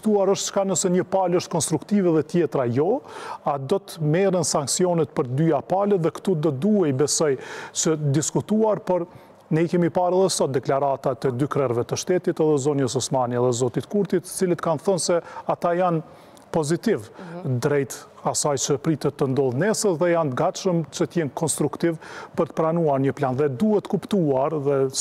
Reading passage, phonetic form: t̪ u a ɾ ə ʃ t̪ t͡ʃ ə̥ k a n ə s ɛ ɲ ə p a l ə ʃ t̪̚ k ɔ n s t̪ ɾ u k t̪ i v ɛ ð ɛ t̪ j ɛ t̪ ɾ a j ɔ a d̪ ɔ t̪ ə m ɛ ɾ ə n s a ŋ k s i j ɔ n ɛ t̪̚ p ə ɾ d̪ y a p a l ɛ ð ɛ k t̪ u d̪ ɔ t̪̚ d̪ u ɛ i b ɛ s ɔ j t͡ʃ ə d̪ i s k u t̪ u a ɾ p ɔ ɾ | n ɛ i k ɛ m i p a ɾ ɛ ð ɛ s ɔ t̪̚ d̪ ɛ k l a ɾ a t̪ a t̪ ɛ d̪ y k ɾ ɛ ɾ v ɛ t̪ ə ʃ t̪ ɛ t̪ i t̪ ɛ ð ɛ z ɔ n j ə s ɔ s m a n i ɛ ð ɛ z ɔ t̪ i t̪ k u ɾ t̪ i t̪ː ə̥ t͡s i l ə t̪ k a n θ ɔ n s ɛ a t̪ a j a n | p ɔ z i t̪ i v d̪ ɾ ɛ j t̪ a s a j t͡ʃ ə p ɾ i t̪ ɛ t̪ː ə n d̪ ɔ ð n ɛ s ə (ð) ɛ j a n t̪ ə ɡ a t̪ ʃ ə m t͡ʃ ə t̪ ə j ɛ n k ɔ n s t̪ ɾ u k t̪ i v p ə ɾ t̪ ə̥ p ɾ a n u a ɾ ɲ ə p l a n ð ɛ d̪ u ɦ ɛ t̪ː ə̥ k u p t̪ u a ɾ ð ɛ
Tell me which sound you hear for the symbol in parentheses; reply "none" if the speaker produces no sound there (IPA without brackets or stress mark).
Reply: ð